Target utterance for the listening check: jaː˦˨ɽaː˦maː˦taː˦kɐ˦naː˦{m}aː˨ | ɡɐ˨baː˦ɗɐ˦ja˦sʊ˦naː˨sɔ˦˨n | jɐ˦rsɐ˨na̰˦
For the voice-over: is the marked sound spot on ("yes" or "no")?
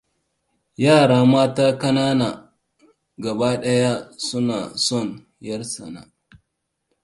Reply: no